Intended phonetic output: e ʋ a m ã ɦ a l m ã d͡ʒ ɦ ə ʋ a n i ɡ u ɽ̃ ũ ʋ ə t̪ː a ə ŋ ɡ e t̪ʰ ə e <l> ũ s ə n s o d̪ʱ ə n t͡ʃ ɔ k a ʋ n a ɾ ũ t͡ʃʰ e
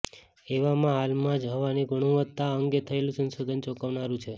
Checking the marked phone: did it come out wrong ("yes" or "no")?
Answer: no